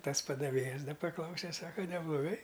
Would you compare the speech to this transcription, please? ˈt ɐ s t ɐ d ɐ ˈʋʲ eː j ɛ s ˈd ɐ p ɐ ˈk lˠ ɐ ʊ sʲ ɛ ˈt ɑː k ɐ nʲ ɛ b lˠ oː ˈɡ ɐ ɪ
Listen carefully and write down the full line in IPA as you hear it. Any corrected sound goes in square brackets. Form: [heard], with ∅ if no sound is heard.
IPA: ˈt ɐ s [p] ɐ d ɐ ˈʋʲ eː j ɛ s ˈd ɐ p ɐ ˈk lˠ ɐ ʊ sʲ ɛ [ˈs] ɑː k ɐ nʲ ɛ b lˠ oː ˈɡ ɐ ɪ

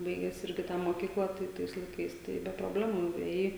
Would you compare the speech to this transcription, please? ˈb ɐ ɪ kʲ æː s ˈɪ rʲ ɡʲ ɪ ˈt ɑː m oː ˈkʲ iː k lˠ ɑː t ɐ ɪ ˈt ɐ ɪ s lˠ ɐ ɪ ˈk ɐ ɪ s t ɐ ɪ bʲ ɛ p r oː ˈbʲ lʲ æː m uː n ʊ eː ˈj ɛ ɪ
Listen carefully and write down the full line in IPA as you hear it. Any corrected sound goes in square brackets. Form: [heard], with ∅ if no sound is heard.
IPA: ˈb ɐ ɪ [ɡʲ] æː s ˈɪ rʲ ɡʲ ɪ ˈt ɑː m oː ˈkʲ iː k lˠ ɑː t ɐ ɪ ˈt ɐ ɪ s lˠ ɐ ɪ ˈk ɐ ɪ s t ɐ ɪ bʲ ɛ p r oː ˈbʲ lʲ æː m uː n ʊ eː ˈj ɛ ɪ

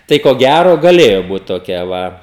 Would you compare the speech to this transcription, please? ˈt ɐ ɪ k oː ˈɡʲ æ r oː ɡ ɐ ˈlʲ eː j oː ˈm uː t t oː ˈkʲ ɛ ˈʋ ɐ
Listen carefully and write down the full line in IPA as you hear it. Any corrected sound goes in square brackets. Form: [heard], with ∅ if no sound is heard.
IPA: ˈt ɐ ɪ k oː ˈɡʲ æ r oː ɡ ɐ ˈlʲ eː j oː [ˈb] uː t t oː ˈkʲ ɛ ˈʋ ɐ

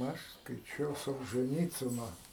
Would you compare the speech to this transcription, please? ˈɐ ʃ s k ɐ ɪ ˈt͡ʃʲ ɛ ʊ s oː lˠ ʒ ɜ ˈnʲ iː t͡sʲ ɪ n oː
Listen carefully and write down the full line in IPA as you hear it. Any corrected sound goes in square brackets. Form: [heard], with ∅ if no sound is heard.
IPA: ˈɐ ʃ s k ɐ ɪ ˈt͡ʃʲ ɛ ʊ s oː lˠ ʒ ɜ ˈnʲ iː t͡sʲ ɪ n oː

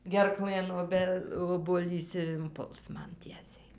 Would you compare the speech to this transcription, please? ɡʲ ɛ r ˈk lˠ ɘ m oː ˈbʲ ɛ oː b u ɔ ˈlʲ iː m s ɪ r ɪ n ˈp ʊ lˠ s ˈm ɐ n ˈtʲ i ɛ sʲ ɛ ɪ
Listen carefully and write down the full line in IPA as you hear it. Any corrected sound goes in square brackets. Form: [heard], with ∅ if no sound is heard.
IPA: ɡʲ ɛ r ˈk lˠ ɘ [n] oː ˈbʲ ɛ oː b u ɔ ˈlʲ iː [∅] s ɪ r ɪ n ˈp ʊ lˠ s ˈm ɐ n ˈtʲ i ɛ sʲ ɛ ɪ

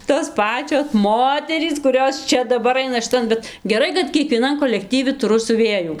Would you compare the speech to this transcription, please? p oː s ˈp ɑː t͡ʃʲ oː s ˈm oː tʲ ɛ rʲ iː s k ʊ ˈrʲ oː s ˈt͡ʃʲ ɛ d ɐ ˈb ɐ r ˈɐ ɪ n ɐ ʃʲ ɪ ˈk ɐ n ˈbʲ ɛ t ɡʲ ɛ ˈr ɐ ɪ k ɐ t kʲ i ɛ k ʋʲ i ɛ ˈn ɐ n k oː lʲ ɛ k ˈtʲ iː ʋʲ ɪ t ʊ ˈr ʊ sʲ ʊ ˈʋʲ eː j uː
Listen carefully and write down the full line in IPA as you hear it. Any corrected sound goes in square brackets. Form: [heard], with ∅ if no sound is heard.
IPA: [t] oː s ˈp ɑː t͡ʃʲ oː s ˈm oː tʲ ɛ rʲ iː s k ʊ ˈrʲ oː s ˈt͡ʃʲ ɛ d ɐ ˈb ɐ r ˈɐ ɪ n ɐ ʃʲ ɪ [ˈt] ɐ n ˈbʲ ɛ t ɡʲ ɛ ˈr ɐ ɪ k ɐ t kʲ i ɛ k ʋʲ i ɛ ˈn ɐ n k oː lʲ ɛ k ˈtʲ iː ʋʲ ɪ t ʊ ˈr ʊ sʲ ʊ ˈʋʲ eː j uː

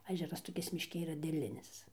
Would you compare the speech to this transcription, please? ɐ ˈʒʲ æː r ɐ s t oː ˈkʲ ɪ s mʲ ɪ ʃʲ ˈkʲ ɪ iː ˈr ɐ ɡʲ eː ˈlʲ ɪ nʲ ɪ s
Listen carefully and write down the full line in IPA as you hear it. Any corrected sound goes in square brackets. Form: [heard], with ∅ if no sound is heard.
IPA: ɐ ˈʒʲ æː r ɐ s t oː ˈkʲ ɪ s mʲ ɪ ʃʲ ˈkʲ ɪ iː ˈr ɐ [dʲ] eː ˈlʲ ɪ nʲ ɪ s

